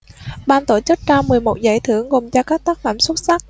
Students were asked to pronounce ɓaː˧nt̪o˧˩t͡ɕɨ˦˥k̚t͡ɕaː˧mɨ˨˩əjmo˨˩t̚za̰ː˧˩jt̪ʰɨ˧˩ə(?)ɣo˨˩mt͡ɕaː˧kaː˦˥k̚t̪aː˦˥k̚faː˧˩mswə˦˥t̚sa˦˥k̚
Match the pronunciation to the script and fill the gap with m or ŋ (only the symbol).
ŋ